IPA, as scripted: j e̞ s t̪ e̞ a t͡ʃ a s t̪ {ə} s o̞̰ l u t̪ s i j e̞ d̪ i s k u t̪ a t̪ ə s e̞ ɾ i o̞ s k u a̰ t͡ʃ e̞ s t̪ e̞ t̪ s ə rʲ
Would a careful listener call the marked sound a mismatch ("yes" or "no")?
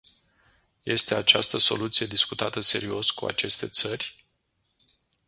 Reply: no